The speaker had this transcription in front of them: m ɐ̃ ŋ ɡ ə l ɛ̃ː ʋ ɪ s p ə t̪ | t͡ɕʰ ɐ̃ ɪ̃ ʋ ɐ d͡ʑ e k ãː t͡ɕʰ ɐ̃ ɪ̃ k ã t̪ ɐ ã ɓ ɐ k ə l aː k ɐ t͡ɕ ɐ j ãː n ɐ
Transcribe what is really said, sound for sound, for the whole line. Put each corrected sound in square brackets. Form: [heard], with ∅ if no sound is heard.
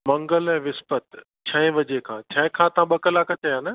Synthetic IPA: m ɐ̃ ŋ ɡ ə l ɛ̃ː ʋ ɪ s p ə t̪ | t͡ɕʰ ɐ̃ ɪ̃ ʋ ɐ d͡ʑ e [kʰ] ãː t͡ɕʰ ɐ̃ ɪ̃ [kʰ] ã t̪ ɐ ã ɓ ɐ k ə l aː k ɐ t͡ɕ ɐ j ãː n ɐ